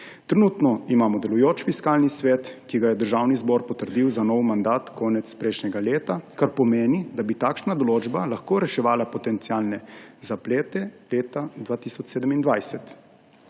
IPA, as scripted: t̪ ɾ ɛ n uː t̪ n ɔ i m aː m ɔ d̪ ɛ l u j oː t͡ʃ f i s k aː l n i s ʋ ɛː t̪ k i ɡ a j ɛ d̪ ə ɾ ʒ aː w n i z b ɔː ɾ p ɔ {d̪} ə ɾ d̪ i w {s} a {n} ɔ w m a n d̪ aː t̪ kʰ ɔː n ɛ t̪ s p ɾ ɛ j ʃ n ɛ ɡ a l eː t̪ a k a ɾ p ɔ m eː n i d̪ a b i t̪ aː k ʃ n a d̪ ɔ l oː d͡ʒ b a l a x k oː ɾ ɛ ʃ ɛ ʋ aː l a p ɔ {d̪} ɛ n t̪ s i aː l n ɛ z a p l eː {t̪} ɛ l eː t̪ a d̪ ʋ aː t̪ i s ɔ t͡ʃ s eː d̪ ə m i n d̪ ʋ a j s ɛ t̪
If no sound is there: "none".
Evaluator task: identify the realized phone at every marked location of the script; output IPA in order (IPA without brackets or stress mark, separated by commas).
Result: t̪, z, n, t̪, t̪